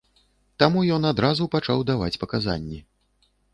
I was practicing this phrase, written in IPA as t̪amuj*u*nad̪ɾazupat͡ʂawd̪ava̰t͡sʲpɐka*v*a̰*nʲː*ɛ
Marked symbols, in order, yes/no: no, no, yes

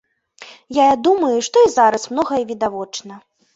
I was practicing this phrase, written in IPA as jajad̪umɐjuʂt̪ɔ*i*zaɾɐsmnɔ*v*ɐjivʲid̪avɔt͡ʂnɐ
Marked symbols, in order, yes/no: yes, no

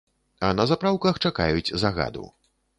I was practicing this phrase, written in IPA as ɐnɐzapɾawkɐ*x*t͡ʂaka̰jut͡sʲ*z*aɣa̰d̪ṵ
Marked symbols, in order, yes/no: yes, yes

